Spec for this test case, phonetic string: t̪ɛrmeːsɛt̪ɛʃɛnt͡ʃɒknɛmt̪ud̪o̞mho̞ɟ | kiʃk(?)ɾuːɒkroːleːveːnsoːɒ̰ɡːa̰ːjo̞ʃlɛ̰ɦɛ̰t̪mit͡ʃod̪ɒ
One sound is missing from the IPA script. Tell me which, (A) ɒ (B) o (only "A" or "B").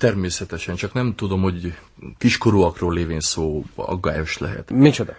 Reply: B